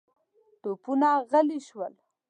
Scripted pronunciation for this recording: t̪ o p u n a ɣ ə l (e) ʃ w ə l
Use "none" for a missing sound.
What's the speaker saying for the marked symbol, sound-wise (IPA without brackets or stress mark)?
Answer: i